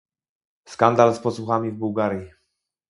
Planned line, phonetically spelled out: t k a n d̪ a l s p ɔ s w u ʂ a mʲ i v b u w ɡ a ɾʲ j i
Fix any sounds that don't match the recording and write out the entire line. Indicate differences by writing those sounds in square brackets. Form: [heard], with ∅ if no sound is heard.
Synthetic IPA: [s] k a n d̪ a l s p ɔ s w u [x] a mʲ i v b u w ɡ a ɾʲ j i